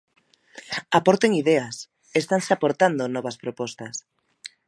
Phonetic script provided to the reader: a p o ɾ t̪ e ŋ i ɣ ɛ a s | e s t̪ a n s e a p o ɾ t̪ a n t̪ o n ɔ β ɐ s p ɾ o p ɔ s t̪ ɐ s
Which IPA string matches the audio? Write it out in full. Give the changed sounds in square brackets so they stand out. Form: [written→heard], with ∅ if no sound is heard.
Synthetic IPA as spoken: a p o ɾ t̪ e ŋ i [ɣ→ð] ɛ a s | e s t̪ a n s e a p o ɾ t̪ a n [t̪→d̪] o n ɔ β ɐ s p ɾ o p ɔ s t̪ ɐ s